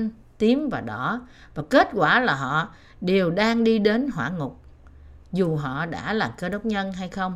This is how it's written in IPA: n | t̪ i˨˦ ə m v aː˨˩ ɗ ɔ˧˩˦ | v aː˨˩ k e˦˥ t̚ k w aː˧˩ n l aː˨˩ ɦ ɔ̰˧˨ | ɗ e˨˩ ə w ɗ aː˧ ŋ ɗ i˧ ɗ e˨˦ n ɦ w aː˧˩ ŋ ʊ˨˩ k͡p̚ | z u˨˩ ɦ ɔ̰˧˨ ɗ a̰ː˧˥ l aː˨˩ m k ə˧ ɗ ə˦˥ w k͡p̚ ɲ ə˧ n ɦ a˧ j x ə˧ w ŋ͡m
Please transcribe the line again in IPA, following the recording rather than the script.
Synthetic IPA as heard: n | t̪ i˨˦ ə m v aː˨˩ ɗ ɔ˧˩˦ | v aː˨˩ k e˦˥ t̚ k w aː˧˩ l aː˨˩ ɦ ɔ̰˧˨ | ɗ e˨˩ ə w ɗ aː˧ ŋ ɗ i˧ ɗ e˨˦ n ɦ w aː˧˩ ŋ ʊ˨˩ k͡p̚ | z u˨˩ ɦ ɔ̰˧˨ ɗ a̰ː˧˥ l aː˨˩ m k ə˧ ɗ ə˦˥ w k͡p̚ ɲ ə˧ n ɦ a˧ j x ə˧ w ŋ͡m